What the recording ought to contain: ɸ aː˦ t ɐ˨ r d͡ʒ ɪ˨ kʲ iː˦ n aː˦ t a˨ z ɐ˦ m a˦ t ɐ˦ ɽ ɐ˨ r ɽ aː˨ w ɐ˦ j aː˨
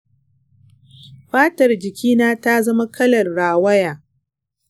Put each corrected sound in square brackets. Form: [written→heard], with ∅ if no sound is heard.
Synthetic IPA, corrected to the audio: ɸ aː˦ t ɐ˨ r d͡ʒ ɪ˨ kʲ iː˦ n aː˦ t [a˨→a˦] z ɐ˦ m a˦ [t→k] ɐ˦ [ɽ→l] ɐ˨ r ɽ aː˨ w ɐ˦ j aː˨